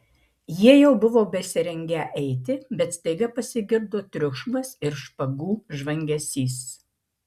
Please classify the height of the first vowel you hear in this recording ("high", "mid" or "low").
high